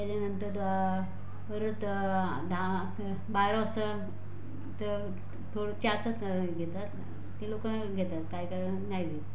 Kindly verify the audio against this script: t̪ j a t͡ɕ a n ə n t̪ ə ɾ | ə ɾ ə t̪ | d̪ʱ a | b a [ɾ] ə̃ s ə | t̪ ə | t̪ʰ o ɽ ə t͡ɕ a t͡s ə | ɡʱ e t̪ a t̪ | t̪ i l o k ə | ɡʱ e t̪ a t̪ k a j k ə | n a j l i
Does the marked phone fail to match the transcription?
no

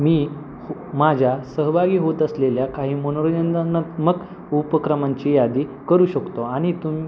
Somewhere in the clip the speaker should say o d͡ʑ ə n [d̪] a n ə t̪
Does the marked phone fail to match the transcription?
no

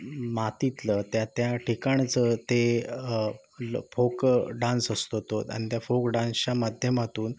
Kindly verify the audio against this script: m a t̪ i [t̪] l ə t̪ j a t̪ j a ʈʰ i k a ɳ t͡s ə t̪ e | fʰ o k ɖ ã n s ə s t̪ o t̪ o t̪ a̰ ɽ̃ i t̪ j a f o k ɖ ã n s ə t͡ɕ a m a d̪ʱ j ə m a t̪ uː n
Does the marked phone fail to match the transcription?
no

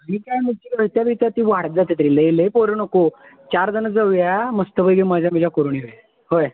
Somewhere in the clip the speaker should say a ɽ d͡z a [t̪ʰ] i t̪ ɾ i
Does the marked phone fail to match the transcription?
yes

